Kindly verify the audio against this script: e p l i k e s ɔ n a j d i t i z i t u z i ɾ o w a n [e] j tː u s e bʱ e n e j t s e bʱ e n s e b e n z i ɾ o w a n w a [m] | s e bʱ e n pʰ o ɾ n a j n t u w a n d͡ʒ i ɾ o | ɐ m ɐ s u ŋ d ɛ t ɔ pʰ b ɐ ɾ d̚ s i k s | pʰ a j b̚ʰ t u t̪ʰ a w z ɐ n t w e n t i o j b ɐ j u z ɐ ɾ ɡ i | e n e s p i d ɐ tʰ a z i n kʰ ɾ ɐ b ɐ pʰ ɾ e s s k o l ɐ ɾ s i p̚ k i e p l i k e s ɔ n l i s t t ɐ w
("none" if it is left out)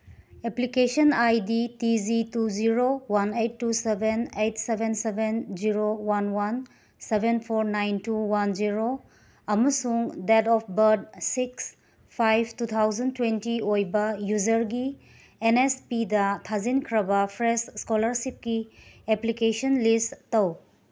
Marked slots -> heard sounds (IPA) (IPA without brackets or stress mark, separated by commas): e, n